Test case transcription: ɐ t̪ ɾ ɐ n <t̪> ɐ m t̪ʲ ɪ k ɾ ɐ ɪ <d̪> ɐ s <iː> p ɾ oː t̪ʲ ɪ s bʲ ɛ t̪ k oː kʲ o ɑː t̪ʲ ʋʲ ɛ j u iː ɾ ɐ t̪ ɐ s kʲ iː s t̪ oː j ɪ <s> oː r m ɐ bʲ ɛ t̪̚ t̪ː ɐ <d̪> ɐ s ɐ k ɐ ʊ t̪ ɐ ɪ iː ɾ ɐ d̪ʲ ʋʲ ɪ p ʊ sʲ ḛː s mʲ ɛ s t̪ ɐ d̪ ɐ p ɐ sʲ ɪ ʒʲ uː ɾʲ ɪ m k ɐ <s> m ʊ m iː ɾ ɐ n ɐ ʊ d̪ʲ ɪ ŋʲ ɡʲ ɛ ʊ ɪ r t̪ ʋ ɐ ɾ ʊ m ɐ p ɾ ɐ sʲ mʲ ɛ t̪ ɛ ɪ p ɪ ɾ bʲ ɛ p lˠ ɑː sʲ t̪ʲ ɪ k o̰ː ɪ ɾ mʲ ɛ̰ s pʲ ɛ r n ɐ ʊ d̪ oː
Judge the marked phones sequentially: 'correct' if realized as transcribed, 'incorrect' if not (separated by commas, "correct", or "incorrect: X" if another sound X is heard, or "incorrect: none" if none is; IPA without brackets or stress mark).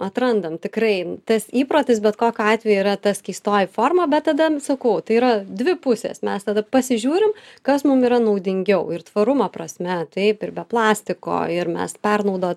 incorrect: d̪, incorrect: t̪, correct, incorrect: f, correct, correct